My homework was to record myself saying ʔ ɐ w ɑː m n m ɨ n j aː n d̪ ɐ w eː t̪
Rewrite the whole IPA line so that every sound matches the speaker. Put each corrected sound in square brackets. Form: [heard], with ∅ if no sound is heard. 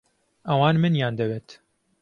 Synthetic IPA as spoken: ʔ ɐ w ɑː [∅] n m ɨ n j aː n d̪ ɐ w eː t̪